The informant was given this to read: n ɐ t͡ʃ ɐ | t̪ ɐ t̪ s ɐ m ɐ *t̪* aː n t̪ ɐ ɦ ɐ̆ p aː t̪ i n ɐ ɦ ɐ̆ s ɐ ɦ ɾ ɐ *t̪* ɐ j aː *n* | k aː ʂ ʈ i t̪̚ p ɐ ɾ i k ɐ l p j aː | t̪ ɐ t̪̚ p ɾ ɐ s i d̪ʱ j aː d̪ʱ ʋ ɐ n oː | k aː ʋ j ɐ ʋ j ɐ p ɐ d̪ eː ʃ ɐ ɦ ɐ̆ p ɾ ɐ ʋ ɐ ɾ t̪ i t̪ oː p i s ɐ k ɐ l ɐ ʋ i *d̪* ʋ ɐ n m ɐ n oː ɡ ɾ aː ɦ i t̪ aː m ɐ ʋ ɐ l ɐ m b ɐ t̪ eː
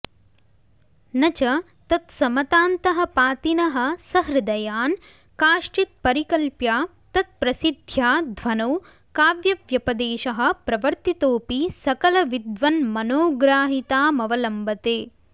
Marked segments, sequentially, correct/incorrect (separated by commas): correct, incorrect, correct, correct